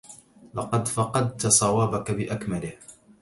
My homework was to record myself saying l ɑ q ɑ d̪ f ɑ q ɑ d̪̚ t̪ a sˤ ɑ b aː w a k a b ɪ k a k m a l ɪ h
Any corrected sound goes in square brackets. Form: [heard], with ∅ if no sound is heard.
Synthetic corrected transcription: l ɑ q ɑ d̪ f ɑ q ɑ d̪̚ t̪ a sˤ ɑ [w] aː [b] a k a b ɪ [ʔ] a k m a l ɪ h